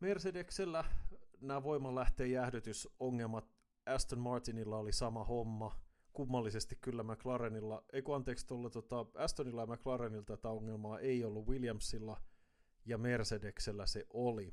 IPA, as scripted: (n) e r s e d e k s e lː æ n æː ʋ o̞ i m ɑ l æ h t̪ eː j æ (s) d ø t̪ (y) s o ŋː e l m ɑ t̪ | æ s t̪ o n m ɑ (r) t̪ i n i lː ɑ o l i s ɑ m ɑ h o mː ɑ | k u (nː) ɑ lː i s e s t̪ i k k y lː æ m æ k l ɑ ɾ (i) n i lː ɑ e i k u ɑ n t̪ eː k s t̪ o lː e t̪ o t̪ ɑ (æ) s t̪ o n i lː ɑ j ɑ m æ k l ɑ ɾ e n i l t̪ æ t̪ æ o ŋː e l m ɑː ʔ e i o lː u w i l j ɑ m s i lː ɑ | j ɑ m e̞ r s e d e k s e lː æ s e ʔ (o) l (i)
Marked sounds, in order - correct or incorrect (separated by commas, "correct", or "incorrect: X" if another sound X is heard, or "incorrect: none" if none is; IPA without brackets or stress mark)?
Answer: incorrect: m, incorrect: h, correct, correct, incorrect: mː, incorrect: e, correct, correct, correct